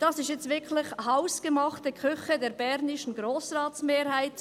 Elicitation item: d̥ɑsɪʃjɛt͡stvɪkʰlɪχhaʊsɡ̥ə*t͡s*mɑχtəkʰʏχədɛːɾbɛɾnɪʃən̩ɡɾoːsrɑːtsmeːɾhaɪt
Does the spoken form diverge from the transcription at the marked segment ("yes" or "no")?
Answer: yes